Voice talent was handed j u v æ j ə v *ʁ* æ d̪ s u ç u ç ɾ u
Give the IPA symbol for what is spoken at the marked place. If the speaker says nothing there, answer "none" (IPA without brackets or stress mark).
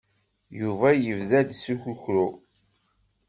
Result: ð